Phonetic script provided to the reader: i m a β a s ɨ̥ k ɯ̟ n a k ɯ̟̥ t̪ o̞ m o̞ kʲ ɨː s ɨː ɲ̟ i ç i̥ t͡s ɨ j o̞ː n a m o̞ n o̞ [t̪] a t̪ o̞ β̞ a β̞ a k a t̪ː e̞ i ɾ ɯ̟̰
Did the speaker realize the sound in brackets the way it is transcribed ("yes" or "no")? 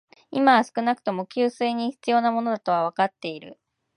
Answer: no